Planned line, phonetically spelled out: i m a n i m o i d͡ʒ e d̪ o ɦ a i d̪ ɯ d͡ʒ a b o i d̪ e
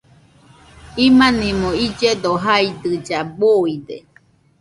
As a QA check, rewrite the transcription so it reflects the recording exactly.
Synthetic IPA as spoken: i m a n i m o i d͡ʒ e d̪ o ɦ a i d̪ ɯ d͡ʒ a b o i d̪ e